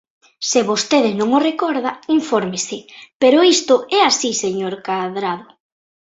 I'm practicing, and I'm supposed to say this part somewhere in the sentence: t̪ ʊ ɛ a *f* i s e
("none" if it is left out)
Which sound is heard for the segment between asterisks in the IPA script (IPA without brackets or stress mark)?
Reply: s